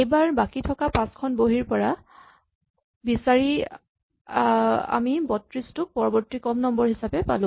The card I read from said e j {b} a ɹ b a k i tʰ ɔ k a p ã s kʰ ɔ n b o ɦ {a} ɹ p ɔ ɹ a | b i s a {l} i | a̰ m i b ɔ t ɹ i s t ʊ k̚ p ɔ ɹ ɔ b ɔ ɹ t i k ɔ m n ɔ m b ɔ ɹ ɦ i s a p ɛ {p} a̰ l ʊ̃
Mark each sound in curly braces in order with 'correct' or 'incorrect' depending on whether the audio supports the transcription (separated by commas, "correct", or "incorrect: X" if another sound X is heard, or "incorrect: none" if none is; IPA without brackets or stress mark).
correct, incorrect: i, incorrect: ɹ, correct